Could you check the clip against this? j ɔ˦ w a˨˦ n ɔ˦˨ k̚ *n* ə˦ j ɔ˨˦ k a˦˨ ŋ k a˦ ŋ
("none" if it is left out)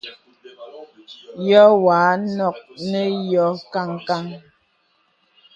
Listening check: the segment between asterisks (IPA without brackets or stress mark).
n